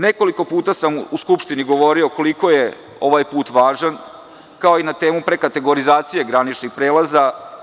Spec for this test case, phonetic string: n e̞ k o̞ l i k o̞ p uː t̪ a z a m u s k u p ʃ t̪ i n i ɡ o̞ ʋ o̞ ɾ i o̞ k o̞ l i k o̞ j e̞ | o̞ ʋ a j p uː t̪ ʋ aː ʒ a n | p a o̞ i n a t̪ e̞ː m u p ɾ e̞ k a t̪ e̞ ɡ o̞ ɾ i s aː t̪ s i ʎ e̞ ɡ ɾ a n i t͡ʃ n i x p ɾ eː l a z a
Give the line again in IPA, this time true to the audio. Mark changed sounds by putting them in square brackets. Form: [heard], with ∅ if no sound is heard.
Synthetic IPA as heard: n e̞ k o̞ l i k o̞ p uː t̪ a [s] a m u s k u p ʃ t̪ i n i ɡ o̞ ʋ o̞ ɾ i o̞ k o̞ l i k o̞ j e̞ | o̞ ʋ a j p uː t̪ ʋ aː ʒ a n | [k] a o̞ i n a t̪ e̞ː m u p ɾ e̞ k a t̪ e̞ ɡ o̞ ɾ i [z] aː t̪ s i [j] e̞ ɡ ɾ a n i t͡ʃ n i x p ɾ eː l a z a